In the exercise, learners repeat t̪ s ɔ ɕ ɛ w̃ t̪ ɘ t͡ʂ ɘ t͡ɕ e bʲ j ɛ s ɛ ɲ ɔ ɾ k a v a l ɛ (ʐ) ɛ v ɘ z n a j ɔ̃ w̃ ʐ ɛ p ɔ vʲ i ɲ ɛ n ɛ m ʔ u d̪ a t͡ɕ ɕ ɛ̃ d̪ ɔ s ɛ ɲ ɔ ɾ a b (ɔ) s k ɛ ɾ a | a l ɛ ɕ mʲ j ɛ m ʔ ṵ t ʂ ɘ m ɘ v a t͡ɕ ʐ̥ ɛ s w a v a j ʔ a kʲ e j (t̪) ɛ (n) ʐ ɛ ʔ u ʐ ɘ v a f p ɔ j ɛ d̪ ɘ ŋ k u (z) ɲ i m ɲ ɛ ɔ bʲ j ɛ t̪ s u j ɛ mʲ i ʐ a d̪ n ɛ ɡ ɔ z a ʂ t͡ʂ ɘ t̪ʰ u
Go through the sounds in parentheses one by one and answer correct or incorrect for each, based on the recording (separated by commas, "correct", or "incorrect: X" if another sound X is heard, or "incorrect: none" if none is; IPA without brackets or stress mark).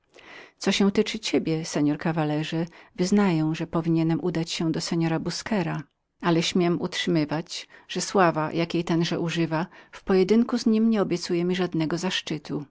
correct, incorrect: u, correct, correct, correct